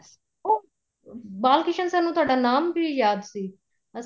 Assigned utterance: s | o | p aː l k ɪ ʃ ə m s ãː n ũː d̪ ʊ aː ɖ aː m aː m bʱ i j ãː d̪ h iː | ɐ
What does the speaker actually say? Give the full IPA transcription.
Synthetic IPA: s | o | b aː l k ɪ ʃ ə n s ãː n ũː t̪ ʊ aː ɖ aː n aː m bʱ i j aː d̪ s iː | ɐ